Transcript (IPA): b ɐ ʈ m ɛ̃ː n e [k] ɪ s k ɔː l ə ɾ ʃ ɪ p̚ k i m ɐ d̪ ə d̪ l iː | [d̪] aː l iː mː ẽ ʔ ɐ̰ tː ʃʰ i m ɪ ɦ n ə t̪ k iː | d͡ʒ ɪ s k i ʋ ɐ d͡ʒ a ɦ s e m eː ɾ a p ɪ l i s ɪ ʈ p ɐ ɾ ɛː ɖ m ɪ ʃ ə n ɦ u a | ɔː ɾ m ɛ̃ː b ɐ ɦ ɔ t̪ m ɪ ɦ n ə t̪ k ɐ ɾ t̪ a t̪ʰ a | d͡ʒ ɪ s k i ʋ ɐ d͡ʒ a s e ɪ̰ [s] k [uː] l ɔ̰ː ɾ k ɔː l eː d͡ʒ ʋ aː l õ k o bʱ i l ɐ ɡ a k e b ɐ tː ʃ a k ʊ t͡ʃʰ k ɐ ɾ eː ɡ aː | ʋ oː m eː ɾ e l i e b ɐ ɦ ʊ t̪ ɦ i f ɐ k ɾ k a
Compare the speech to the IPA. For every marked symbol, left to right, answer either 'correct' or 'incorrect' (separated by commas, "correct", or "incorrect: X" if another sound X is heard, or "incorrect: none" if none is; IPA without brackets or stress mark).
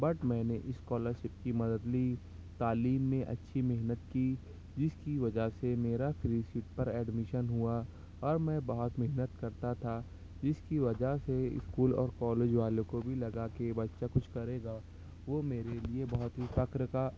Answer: incorrect: ʔ, incorrect: t̪, correct, correct